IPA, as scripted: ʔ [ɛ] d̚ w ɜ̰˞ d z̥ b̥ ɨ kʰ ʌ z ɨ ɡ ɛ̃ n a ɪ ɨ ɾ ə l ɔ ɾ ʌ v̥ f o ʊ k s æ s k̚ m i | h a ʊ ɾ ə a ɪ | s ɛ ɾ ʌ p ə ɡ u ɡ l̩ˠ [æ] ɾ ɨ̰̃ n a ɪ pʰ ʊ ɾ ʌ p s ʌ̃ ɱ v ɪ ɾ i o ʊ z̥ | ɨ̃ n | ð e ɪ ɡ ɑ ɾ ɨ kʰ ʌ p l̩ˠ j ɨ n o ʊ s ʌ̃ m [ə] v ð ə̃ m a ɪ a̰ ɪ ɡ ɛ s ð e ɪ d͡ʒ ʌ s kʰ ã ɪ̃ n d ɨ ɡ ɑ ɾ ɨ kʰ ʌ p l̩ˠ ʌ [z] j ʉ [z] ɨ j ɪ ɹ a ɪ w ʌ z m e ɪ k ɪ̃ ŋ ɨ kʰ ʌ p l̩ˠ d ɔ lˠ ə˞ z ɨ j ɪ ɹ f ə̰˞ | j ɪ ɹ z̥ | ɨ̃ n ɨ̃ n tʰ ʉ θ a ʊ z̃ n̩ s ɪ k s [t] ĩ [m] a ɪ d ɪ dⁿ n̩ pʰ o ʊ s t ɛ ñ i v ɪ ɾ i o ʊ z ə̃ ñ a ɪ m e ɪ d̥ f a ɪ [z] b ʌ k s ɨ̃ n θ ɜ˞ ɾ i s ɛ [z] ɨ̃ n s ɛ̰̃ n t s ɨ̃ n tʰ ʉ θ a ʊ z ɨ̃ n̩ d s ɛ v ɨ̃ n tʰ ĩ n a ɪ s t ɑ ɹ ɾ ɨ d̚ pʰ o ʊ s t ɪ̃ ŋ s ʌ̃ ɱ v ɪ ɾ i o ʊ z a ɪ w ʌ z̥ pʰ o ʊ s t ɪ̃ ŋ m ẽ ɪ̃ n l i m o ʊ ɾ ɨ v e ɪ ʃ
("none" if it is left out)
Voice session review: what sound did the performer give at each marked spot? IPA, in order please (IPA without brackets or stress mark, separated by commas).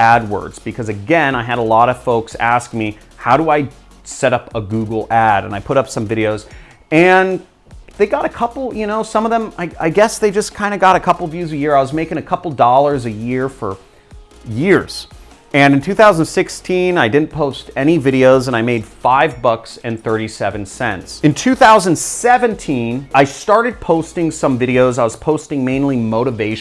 æ, æ, ʌ, v, z, tʰ, n, v, v